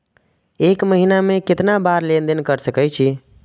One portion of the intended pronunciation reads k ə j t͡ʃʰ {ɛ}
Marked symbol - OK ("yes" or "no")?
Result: no